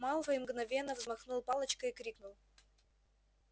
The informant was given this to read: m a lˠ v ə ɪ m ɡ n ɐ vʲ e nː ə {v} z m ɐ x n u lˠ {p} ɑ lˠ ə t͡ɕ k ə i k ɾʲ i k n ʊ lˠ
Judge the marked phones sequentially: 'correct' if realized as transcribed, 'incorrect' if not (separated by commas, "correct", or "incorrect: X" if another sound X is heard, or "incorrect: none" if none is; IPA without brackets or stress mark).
correct, correct